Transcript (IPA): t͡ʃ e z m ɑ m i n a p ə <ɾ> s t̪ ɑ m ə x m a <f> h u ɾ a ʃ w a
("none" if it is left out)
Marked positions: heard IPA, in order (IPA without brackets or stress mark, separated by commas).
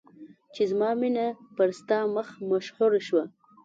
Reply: ɾ, ʃ